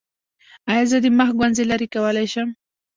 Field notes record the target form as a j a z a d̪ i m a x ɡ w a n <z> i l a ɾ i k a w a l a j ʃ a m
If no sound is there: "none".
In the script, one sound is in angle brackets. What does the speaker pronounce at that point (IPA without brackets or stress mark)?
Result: z